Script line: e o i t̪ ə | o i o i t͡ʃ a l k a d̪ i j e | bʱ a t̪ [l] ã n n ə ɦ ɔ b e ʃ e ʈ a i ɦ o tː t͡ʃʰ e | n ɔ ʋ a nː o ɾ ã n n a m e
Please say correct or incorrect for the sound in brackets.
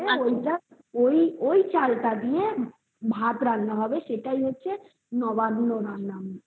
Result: incorrect